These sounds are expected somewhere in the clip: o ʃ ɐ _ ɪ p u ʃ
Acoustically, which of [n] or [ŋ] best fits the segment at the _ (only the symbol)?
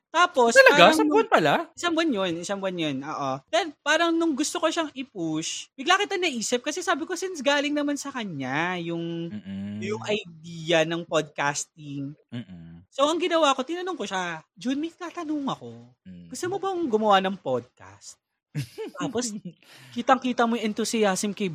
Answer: ŋ